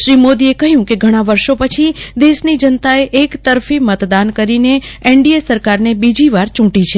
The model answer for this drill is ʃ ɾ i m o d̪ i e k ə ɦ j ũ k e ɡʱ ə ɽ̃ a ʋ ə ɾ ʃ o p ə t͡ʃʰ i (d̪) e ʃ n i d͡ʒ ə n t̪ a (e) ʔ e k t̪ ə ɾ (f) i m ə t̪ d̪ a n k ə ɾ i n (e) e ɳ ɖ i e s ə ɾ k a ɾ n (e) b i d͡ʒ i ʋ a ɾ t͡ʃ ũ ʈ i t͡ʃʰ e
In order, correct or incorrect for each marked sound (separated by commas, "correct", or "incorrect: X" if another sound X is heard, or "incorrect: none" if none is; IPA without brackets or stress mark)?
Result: correct, correct, correct, correct, correct